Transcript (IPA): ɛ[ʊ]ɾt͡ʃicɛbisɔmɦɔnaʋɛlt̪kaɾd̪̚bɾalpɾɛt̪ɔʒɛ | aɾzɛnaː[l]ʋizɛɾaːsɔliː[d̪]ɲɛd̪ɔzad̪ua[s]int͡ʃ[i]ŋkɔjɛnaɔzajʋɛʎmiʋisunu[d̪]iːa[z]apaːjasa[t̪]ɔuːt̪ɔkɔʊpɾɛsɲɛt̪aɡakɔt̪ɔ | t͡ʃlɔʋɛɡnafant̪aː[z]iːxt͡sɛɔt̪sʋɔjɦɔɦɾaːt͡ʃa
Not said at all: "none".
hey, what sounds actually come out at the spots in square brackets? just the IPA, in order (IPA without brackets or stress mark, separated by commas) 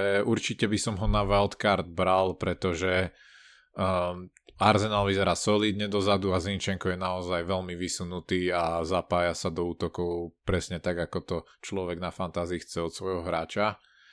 u, l, d̪, z, ɛ, t̪, z, d̪, z